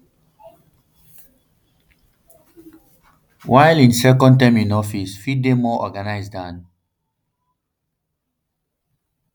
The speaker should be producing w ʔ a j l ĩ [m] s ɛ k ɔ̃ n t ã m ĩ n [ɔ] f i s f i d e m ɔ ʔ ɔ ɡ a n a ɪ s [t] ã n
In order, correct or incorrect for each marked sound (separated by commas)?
incorrect, correct, incorrect